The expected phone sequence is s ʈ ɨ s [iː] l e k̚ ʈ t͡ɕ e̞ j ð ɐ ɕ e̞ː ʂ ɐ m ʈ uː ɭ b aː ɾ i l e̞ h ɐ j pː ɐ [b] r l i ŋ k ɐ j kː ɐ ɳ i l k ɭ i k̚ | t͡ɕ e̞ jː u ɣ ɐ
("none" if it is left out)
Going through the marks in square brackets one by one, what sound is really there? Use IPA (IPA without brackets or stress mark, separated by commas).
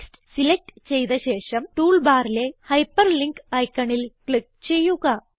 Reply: i, none